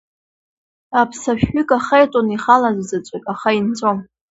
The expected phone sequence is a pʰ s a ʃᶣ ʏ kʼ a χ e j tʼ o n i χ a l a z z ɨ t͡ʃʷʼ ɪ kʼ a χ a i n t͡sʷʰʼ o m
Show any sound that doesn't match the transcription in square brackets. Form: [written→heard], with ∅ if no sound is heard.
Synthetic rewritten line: a pʰ s a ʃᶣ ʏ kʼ a χ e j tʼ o n i χ a l a z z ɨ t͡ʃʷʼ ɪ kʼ a χ a i n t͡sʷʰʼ o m